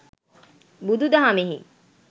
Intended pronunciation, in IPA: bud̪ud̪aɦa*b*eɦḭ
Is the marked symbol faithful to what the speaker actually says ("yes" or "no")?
no